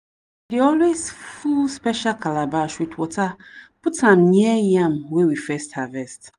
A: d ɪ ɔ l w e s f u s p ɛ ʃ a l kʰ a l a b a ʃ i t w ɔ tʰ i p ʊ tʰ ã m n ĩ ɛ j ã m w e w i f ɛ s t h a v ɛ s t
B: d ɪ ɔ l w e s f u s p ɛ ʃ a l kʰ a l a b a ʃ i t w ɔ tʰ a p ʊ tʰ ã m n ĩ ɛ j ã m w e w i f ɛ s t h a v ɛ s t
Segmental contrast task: B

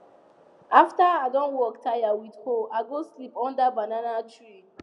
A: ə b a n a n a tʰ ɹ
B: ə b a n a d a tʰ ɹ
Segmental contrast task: A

